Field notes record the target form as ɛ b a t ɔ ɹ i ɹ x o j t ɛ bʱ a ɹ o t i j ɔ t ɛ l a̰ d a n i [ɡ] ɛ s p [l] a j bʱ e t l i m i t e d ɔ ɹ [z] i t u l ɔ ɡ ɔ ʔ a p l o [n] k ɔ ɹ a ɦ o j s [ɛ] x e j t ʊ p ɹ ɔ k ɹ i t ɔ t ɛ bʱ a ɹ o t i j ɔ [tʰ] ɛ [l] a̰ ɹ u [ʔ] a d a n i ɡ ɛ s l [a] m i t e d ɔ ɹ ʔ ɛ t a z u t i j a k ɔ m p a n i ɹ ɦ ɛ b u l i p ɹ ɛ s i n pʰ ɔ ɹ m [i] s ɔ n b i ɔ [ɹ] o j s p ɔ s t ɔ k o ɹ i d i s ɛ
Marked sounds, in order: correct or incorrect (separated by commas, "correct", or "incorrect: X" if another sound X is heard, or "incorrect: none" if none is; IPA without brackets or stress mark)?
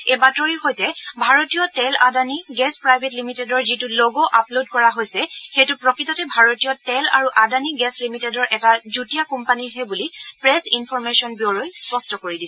correct, incorrect: ɹ, correct, incorrect: d, correct, incorrect: t, correct, correct, incorrect: i, incorrect: e, correct